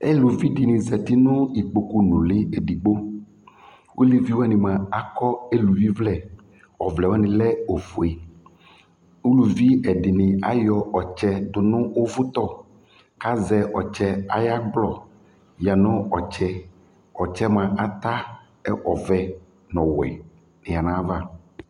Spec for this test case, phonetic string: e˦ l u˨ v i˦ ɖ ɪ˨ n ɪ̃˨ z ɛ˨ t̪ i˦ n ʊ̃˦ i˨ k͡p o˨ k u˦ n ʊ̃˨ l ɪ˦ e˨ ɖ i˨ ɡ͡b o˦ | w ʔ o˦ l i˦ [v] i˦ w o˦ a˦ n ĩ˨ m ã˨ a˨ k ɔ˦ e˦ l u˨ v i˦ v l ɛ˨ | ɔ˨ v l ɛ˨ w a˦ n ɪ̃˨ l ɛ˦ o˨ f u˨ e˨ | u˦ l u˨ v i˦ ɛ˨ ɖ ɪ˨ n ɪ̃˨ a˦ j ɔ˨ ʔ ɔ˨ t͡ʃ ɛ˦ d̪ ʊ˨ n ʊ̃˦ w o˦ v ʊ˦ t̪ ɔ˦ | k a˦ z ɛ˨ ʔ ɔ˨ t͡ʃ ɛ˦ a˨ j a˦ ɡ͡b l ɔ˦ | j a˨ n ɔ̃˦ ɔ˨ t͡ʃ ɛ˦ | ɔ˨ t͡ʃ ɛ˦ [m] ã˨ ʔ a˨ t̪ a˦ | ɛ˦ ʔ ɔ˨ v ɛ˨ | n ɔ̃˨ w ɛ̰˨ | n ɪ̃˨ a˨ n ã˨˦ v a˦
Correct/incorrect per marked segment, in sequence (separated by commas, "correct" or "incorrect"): correct, correct